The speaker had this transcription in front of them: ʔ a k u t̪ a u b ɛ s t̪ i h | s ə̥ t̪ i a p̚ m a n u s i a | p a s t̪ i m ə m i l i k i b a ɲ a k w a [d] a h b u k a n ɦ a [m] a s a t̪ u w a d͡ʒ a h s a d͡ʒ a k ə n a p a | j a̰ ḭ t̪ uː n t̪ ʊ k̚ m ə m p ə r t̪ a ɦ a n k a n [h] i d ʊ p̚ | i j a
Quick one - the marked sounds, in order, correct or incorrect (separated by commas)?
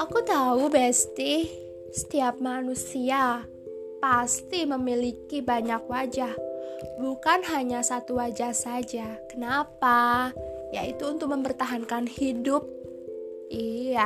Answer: incorrect, incorrect, correct